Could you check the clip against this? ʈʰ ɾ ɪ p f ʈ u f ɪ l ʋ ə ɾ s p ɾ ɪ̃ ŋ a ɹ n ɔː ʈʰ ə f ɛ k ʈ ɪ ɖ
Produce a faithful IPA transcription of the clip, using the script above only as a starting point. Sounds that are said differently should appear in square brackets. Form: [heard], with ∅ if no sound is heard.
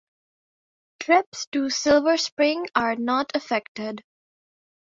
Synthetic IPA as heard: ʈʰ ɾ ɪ p [s] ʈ u [s] ɪ l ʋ ə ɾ s p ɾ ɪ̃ ŋ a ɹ n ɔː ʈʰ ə f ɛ k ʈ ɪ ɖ